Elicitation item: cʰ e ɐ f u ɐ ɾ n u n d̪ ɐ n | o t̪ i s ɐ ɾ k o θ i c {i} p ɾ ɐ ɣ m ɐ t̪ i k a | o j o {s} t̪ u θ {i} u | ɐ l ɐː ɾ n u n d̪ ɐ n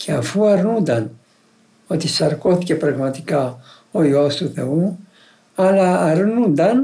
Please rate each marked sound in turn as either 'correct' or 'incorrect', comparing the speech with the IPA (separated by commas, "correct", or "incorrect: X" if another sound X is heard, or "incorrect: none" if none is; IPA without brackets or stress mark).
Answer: incorrect: e, correct, incorrect: e